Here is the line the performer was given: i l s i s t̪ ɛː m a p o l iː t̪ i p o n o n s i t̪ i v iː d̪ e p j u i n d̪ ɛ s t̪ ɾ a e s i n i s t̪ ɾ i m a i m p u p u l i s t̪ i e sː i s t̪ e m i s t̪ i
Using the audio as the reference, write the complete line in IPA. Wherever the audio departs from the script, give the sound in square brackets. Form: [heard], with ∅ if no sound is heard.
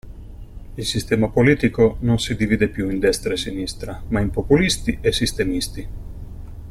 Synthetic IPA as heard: i l s i s t̪ ɛː m a p o l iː t̪ i [k] o n o n s i [d̪] i v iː d̪ e p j u i n d̪ ɛ s t̪ ɾ a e s i n i s t̪ ɾ [a] m a i m p [o] p u l i s t̪ i e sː i s t̪ e m i s t̪ i